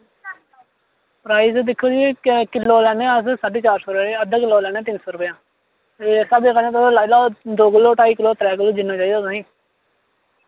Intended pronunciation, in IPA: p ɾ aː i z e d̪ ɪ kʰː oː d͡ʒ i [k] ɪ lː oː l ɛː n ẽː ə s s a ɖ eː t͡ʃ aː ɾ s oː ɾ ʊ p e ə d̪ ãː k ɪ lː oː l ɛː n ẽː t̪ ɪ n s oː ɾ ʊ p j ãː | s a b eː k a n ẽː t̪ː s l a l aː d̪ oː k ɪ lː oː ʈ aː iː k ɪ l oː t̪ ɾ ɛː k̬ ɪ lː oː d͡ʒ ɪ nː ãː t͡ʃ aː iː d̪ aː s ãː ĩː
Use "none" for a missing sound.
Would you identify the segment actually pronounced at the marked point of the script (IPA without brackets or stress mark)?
k